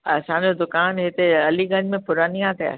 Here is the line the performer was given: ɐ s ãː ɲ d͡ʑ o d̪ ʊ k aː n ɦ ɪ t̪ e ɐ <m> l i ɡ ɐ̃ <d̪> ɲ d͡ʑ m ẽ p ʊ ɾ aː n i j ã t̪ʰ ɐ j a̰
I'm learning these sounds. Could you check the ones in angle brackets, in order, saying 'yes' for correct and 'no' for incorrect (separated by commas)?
no, no